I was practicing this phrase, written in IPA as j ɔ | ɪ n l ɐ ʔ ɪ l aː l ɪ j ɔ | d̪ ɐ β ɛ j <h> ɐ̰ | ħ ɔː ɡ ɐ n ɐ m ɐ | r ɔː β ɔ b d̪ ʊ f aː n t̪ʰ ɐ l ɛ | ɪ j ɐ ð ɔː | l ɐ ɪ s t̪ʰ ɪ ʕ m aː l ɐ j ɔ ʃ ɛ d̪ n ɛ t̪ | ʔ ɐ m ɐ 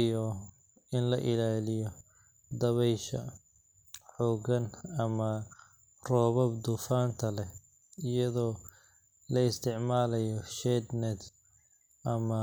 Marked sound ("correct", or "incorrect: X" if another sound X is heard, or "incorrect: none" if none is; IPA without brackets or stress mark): incorrect: ʃ